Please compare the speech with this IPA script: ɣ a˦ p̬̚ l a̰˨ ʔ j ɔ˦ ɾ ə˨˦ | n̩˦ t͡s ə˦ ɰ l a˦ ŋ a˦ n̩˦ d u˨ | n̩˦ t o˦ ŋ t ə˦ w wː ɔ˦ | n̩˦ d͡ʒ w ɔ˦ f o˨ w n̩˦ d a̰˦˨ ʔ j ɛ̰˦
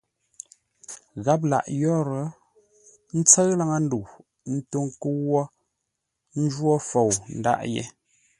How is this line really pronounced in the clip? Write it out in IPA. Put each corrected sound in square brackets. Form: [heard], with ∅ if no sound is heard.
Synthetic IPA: ɣ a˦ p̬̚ l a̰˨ ʔ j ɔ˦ ɾ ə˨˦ | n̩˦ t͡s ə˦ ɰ l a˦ ŋ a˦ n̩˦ d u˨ | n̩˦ t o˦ ŋ [k] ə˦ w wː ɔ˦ | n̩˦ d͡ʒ w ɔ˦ f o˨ w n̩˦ d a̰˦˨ ʔ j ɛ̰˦

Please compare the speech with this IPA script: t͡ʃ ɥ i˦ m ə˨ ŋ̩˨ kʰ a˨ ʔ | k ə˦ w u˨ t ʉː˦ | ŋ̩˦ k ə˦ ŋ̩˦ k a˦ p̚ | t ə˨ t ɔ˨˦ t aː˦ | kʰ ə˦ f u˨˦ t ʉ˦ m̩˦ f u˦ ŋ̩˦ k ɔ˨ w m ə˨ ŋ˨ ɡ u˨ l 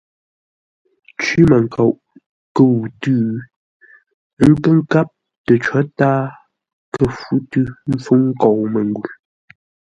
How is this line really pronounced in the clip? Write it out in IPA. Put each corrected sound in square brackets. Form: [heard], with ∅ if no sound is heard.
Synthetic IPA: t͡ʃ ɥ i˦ m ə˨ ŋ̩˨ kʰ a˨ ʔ | k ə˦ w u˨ t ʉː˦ | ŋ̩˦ k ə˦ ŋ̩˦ k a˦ p̚ | t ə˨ [t͡ʃ] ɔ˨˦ t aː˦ | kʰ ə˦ f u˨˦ t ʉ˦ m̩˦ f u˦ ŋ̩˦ k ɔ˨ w m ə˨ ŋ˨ ɡ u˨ l

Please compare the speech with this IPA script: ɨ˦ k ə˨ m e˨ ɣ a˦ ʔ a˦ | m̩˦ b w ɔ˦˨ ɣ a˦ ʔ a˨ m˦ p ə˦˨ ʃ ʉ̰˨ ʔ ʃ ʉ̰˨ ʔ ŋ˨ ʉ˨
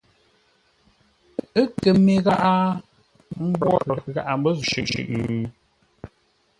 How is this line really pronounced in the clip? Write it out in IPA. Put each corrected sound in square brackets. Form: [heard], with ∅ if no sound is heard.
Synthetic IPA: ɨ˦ k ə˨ m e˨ ɣ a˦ ʔ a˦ | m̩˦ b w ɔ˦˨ ɣ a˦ ʔ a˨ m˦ [b] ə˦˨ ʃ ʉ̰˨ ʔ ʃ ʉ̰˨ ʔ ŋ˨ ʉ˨

